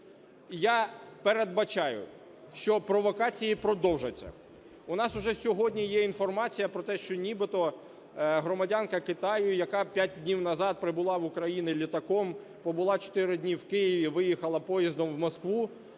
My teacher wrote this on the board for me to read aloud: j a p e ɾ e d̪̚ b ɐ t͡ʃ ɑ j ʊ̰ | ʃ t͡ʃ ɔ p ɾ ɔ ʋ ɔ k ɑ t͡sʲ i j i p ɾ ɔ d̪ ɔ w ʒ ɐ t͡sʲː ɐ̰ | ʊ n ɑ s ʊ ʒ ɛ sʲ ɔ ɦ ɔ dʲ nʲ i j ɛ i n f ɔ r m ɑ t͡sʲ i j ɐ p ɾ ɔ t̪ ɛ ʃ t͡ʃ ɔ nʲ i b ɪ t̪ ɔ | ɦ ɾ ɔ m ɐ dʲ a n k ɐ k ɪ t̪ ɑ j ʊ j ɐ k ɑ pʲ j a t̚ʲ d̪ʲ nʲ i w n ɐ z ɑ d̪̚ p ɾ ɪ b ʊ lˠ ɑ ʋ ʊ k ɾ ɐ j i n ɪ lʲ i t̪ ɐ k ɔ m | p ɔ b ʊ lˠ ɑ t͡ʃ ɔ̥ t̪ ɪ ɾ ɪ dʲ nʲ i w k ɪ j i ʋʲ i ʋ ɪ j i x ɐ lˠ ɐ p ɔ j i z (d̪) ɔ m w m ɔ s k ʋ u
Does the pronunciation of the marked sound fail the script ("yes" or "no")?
no